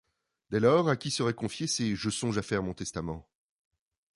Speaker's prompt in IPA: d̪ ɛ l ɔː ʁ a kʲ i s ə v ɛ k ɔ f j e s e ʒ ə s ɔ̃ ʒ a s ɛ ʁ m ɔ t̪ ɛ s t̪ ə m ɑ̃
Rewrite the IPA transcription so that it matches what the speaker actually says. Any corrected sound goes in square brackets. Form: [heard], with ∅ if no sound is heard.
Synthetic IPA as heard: d̪ ɛ l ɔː ʁ a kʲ i s ə [ʁ] ɛ k [ɔ̃] f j e s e ʒ ə s ɔ̃ ʒ a [f] ɛ ʁ m [ɔ̃] t̪ ɛ s t̪ [a] m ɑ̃